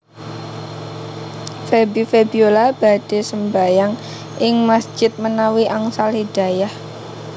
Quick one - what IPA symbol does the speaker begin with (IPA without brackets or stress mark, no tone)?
f